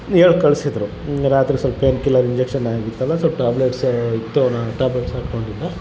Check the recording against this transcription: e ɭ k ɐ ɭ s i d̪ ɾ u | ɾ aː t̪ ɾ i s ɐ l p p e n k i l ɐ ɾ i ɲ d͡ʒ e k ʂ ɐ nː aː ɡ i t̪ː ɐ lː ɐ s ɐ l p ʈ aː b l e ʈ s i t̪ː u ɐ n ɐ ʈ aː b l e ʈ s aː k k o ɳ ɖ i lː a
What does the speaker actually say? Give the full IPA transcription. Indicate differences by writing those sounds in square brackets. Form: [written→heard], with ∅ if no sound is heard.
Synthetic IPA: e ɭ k ɐ ɭ s i d̪ ɾ u | ɾ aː t̪ ɾ i s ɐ l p p e n k i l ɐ ɾ i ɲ d͡ʒ e k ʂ ɐ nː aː ɡ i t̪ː ɐ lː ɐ s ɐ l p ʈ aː b l e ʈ s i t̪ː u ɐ n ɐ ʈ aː b l e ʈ s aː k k o ɳ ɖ i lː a

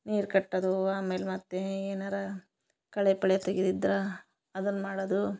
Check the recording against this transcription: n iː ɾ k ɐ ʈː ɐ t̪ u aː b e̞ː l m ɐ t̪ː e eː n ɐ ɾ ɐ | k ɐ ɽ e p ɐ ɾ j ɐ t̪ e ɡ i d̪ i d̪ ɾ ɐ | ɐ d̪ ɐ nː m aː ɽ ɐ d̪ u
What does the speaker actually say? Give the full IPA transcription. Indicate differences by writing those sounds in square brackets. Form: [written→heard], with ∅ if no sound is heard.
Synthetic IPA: n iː ɾ k ɐ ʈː ɐ [t̪→d̪] u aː [b→m] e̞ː l m ɐ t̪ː e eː n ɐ ɾ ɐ | k ɐ [ɽ→ɭ] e p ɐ [ɾ→ɭ] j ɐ t̪ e ɡ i d̪ i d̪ ɾ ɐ | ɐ d̪ ɐ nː m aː ɽ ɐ d̪ u

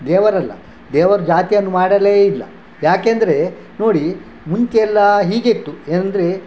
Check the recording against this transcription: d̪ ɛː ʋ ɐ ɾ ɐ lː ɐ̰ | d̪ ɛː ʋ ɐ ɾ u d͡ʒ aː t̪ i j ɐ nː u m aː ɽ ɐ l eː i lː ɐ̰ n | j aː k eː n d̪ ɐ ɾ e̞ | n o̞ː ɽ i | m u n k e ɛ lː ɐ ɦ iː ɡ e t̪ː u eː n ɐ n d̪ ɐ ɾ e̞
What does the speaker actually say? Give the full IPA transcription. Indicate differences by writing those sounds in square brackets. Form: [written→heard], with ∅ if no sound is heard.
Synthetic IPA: d̪ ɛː ʋ ɐ ɾ ɐ lː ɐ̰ | d̪ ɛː ʋ ɐ ɾ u d͡ʒ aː t̪ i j ɐ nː u m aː ɽ ɐ l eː i lː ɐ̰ [n→∅] | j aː k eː n d̪ ɐ ɾ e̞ | n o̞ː ɽ i | m u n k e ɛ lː ɐ ɦ iː ɡ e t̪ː u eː n ɐ n d̪ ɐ ɾ e̞

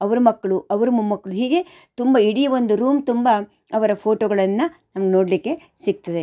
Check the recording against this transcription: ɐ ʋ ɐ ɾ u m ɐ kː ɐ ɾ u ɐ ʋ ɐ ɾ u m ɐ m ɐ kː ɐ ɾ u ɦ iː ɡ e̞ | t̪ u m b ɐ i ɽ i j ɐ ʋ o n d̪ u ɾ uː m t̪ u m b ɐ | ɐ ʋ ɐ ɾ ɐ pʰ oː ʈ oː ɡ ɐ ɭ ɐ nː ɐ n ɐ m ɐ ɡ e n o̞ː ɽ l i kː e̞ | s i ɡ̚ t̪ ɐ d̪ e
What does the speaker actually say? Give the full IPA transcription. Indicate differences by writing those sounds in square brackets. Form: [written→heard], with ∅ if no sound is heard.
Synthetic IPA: ɐ ʋ ɐ ɾ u m ɐ kː ɐ [ɾ→ɭ] u ɐ ʋ ɐ ɾ u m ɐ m ɐ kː ɐ [ɾ→ɭ] u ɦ iː ɡ e̞ | t̪ u m b ɐ i ɽ i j ɐ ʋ o n d̪ u ɾ uː m t̪ u m b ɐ | ɐ ʋ ɐ ɾ ɐ pʰ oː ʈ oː ɡ ɐ ɭ ɐ nː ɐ n ɐ m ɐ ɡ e n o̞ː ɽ l i kː e̞ | s i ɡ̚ t̪ ɐ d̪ e

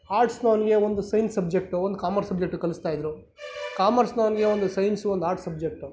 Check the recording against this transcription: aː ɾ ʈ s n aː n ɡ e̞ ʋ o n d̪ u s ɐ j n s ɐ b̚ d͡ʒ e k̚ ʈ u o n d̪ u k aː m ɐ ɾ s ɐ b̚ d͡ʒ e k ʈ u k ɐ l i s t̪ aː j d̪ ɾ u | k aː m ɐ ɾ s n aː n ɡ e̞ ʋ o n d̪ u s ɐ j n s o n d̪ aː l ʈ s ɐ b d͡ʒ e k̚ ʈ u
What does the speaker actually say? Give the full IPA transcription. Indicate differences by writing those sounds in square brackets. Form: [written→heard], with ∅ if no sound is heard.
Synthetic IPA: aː ɾ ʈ s n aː n ɡ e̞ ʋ o n d̪ u s ɐ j n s ɐ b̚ d͡ʒ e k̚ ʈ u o n d̪ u k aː m ɐ ɾ s ɐ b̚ d͡ʒ e k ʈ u k ɐ l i s t̪ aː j d̪ ɾ u | k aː m ɐ ɾ s n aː n ɡ e̞ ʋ o n d̪ u s ɐ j n s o n d̪ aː [l→ɾ] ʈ s ɐ b d͡ʒ e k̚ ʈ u

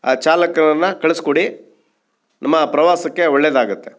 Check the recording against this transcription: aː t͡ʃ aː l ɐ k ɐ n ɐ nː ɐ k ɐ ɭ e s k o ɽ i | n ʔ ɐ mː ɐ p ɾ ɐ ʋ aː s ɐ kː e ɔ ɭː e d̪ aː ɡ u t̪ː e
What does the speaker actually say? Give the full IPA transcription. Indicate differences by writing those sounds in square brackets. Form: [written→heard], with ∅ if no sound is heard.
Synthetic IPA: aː t͡ʃ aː l ɐ k ɐ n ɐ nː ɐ k ɐ ɭ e s k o ɽ i | n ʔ ɐ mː ɐ p ɾ ɐ ʋ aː s ɐ kː e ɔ ɭː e d̪ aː ɡ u t̪ː e

